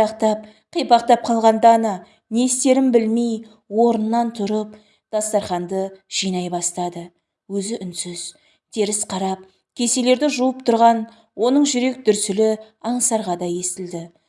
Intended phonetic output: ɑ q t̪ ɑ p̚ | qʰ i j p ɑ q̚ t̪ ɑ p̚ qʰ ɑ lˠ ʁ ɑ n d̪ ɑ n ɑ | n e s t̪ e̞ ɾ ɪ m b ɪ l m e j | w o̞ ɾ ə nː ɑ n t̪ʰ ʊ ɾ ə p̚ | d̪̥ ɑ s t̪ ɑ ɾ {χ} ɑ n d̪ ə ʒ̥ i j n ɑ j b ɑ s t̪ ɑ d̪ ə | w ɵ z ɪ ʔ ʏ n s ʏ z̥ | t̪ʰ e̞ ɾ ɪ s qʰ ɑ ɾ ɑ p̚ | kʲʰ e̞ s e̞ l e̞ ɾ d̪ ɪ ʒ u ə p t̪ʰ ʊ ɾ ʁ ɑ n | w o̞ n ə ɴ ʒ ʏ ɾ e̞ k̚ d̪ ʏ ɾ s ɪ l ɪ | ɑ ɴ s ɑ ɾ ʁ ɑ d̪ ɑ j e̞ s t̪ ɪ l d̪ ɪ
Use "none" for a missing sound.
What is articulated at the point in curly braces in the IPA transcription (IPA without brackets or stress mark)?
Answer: χ